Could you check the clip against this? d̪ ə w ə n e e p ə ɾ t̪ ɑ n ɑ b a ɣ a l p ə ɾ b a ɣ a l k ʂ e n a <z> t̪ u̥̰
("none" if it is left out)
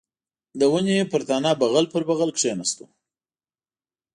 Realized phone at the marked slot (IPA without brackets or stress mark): s